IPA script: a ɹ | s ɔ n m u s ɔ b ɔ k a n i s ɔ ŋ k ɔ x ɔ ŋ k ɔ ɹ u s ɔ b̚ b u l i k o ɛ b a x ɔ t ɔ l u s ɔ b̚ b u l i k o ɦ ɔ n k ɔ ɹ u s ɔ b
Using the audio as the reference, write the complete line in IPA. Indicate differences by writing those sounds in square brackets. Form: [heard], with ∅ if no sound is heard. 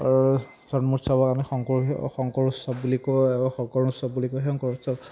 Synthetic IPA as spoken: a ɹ | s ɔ n m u s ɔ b ɔ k a [m] i [x] ɔ ŋ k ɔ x ɔ ŋ k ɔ ɹ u s ɔ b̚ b u l i k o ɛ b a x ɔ [k] ɔ [ɹ] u s ɔ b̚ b u l i k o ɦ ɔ [ŋ] k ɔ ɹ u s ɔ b